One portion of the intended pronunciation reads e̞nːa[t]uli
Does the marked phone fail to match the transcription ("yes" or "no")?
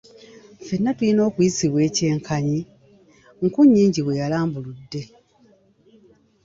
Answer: no